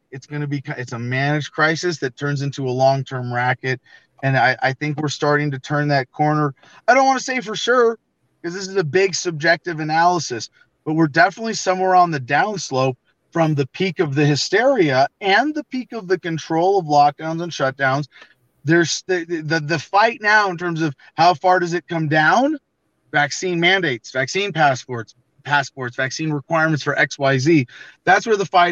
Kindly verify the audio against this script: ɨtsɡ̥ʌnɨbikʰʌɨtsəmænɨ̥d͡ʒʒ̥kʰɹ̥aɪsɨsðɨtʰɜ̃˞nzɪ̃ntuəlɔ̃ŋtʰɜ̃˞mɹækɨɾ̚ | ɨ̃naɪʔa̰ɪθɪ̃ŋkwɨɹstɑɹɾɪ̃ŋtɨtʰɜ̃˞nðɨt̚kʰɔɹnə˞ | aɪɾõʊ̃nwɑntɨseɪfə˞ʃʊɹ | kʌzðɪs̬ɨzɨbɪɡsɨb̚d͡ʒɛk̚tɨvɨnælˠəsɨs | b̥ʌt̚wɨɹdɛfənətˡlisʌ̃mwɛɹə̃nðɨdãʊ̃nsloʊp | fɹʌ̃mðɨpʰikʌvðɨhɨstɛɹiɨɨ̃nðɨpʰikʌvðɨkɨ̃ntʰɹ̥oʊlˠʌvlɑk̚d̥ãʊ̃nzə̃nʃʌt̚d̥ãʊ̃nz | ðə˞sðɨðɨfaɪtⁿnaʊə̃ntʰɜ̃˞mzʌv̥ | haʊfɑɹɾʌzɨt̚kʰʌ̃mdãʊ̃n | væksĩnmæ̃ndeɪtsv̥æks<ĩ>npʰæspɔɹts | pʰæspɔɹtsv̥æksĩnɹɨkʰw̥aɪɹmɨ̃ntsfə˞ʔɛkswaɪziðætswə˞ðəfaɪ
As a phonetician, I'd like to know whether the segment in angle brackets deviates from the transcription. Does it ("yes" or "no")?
no